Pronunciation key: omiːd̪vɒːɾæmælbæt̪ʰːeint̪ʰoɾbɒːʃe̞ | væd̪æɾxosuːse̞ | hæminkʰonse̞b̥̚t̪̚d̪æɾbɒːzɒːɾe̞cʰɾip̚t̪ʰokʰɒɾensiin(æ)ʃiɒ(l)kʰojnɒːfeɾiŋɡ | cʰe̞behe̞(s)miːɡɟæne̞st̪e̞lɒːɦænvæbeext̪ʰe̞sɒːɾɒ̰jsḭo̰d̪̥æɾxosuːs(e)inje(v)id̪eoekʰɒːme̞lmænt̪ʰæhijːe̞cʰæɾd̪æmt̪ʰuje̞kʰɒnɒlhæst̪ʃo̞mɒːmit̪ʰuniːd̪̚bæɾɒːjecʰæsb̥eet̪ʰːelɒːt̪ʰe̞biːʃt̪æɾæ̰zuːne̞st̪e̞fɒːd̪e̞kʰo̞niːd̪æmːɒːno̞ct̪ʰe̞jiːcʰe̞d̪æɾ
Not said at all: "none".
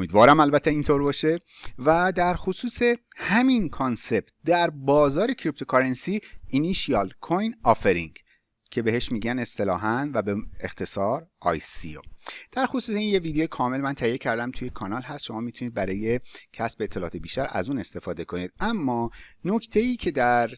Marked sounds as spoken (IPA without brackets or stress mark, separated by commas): i, l, ʃ, e, v